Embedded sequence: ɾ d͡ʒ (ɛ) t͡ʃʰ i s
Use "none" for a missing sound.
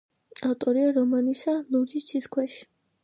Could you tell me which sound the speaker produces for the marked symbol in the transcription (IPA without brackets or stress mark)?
i